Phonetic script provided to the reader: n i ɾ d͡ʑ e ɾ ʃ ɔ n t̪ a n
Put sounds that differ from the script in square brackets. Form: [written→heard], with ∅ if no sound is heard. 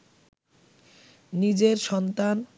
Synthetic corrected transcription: n i [ɾ→∅] d͡ʑ e ɾ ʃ ɔ n t̪ a n